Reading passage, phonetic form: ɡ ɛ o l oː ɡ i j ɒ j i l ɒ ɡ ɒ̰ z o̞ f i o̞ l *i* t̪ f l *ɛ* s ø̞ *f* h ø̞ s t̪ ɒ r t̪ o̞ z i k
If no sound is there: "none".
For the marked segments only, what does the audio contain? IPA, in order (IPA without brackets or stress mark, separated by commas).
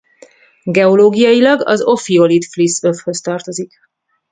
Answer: i, i, f